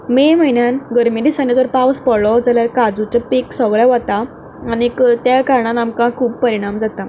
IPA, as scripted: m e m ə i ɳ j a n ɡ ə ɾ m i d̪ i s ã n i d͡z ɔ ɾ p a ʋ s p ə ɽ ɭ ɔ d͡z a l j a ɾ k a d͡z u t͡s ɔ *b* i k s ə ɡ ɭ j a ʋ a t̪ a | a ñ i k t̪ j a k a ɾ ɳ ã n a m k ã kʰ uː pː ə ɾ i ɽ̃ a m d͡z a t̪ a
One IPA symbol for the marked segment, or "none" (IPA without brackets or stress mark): p